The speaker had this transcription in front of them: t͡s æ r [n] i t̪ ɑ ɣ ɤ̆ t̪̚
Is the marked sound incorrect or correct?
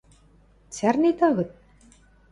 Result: correct